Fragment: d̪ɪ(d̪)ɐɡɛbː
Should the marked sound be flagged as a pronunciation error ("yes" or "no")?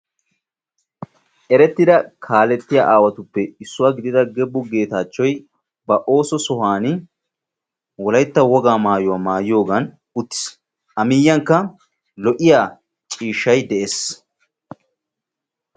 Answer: no